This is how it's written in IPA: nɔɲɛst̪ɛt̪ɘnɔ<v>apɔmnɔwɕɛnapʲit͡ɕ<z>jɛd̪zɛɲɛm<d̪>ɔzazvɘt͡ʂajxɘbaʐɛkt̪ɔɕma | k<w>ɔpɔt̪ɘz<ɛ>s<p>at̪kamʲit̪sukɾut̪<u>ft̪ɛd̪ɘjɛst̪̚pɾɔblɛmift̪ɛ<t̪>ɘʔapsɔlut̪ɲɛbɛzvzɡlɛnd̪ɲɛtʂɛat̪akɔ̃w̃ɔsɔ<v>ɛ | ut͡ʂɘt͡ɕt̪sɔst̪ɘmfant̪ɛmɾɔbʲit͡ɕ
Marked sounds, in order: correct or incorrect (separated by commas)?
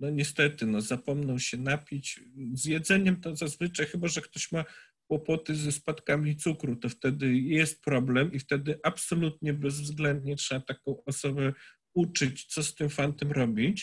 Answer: incorrect, correct, incorrect, correct, correct, correct, incorrect, incorrect, incorrect